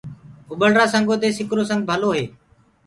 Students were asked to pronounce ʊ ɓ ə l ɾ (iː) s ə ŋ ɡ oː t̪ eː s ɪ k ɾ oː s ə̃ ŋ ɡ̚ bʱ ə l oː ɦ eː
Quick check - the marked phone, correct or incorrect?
incorrect